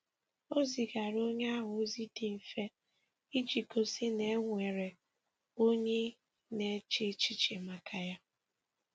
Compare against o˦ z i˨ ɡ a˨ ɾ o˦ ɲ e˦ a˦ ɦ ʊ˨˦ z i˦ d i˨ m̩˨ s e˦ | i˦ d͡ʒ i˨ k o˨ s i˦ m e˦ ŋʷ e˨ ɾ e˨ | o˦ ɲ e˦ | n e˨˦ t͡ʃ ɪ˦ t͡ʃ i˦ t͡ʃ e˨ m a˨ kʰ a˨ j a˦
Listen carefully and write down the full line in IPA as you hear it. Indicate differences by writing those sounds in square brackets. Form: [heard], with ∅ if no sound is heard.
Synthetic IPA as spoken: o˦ z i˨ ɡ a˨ ɾ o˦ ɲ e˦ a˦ ɦ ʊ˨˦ z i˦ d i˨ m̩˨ [f] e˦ | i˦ d͡ʒ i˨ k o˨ s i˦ [n] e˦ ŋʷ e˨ ɾ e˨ | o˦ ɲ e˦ | n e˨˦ t͡ʃ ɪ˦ t͡ʃ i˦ t͡ʃ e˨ m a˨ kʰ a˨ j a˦